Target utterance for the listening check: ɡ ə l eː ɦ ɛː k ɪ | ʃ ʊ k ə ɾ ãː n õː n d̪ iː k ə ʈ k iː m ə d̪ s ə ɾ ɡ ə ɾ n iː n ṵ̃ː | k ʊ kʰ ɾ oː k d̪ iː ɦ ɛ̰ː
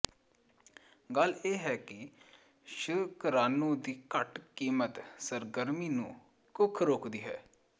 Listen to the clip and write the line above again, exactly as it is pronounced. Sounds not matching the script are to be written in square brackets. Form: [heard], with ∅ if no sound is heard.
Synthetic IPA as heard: ɡ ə l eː ɦ ɛː k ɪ | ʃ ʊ k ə ɾ [aː] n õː [∅] d̪ iː k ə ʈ k iː m ə [t̪] s ə ɾ ɡ ə ɾ [m] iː n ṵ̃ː | k ʊ kʰ ɾ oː k d̪ iː ɦ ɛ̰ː